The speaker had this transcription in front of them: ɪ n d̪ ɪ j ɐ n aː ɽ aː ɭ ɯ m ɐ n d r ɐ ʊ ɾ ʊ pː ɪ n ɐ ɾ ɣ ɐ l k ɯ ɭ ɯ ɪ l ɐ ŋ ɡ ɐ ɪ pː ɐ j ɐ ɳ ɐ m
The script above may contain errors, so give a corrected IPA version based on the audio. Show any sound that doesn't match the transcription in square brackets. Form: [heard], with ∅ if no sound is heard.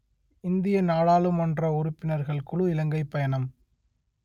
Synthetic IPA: ɪ n d̪ ɪ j ɐ n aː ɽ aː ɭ ɯ m ɐ n d r ɐ ʊ ɾ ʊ pː ɪ n ɐ ɾ ɣ ɐ [ɭ] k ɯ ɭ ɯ ɪ l ɐ ŋ ɡ ɐ ɪ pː ɐ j ɐ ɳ ɐ m

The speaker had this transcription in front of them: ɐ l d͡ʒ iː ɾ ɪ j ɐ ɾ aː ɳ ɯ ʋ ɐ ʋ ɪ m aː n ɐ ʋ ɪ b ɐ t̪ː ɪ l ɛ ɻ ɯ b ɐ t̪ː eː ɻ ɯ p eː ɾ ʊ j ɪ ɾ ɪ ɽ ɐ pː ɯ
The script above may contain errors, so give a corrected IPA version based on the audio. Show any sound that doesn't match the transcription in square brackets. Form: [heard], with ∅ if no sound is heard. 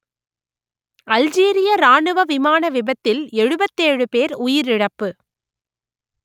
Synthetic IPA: ɐ l d͡ʒ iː ɾ ɪ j ɐ ɾ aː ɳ ɯ ʋ ɐ ʋ ɪ m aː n ɐ ʋ ɪ b ɐ t̪ː ɪ l ɛ ɻ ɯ b ɐ t̪ː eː ɻ ɯ p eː ɾ ʊ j ɪ ɾ ɪ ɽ ɐ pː ɯ

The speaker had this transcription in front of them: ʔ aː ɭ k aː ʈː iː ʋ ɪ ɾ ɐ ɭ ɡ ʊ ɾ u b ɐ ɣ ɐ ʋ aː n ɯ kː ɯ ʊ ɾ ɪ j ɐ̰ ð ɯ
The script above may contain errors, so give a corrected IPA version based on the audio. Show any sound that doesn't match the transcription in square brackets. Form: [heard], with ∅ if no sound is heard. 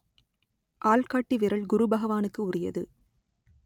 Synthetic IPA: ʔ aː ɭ k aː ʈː [i] ʋ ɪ ɾ ɐ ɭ ɡ ʊ ɾ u b ɐ ɣ ɐ ʋ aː n ɯ kː ɯ ʊ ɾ ɪ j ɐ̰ ð ɯ

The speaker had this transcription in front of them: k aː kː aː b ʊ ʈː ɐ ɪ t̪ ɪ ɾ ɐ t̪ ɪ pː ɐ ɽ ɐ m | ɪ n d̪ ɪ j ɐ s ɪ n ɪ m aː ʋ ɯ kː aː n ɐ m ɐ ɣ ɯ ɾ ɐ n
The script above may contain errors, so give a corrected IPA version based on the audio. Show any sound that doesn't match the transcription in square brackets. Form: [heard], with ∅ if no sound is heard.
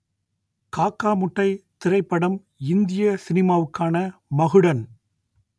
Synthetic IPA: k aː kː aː [m] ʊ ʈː ɐ ɪ t̪ ɪ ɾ ɐ [∅] ɪ pː ɐ ɽ ɐ m | ɪ n d̪ ɪ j ɐ s ɪ n ɪ m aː ʋ ɯ kː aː n ɐ m ɐ ɣ ɯ [ɽ] ɐ n

